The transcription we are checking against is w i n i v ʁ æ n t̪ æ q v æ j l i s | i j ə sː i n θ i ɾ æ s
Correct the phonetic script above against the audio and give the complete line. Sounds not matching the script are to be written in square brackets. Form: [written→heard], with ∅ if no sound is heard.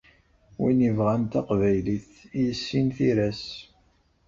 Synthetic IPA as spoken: w i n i v ʁ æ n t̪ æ q v æ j l i [s→θ] | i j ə sː i n θ i ɾ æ s